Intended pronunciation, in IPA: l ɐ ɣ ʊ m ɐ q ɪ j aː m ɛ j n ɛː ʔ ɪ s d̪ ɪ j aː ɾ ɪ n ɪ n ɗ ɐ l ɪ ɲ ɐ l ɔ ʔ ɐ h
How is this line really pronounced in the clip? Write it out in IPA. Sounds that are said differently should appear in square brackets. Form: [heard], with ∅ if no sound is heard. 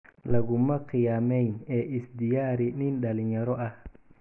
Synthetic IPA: l ɐ ɣ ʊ m ɐ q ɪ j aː m ɛ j n ɛː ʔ ɪ s d̪ ɪ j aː ɾ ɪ n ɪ n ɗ ɐ l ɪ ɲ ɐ [ɾ] ɔ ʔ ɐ h